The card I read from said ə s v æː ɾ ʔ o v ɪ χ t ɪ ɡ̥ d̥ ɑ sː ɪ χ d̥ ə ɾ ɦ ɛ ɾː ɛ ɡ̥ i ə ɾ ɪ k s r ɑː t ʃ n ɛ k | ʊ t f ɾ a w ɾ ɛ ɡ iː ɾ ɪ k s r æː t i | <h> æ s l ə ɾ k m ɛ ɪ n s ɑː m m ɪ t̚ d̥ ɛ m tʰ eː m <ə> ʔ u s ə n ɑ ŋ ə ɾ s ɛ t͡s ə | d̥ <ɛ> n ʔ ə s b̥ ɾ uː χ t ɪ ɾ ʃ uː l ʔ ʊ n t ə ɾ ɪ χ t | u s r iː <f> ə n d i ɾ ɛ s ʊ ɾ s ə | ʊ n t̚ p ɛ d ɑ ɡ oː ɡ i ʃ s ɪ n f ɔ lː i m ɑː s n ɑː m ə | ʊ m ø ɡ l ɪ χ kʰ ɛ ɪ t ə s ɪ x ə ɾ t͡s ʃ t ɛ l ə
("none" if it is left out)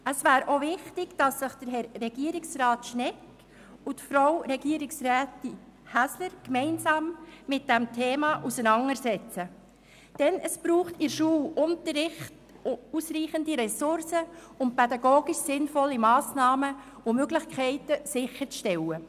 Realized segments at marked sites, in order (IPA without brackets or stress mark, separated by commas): h, ɑ, ɛ, χ